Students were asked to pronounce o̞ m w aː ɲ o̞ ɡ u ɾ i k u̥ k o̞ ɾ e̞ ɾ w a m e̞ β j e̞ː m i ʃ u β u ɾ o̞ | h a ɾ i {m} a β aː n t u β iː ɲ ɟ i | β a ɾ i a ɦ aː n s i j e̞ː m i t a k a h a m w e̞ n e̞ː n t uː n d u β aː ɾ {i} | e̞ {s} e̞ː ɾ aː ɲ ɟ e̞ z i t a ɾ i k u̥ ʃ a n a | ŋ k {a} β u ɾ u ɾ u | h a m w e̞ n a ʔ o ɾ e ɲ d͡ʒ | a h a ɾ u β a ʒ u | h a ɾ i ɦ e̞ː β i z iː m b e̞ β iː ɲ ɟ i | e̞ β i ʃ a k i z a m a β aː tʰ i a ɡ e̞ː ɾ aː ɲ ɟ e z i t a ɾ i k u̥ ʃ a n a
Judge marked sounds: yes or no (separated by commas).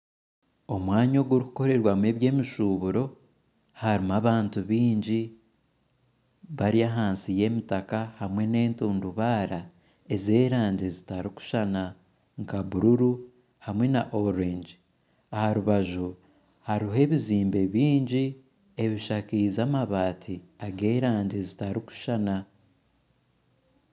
yes, no, no, yes